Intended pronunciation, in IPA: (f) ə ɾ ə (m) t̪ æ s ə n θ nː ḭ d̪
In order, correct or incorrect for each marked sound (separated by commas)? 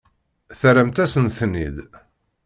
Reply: incorrect, correct